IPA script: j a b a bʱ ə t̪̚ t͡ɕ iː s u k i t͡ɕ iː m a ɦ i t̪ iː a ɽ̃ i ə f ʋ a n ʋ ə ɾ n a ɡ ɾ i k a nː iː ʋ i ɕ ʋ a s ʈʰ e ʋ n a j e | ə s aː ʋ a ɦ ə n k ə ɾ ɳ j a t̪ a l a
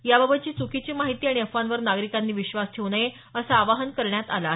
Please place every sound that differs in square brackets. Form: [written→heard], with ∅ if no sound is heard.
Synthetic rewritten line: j a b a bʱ ə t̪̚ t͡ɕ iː [s→t͡s] u k i t͡ɕ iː m a ɦ i t̪ iː a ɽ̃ i ə f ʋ a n ʋ ə ɾ n a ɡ ɾ i k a nː iː ʋ i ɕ ʋ a s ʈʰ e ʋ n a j e | ə s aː ʋ a ɦ ə n k ə ɾ ɳ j a t̪ a l a